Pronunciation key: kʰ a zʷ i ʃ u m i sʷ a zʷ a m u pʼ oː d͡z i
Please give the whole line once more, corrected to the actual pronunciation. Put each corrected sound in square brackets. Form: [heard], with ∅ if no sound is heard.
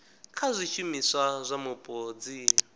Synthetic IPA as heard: kʰ a zʷ i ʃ u m i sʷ a zʷ a m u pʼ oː d͡z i